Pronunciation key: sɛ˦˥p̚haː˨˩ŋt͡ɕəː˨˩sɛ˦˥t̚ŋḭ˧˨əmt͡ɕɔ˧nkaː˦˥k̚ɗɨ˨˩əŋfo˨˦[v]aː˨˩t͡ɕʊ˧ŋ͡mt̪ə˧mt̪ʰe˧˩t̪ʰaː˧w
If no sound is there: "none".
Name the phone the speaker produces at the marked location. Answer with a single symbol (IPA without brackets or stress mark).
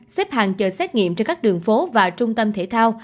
v